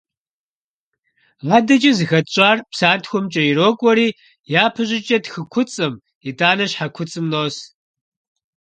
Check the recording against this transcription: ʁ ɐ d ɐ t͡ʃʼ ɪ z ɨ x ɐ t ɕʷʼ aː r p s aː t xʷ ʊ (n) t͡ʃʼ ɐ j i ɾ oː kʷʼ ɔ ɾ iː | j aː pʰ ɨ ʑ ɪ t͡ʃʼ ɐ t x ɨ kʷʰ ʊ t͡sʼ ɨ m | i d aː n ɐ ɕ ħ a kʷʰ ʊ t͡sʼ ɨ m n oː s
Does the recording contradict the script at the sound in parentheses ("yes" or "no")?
yes